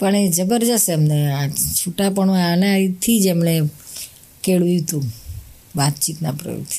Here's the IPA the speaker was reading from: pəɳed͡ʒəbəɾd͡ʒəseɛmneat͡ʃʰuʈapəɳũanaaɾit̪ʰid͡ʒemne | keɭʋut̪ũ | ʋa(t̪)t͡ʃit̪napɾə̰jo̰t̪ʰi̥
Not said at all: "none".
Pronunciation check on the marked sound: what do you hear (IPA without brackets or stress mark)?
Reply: t̪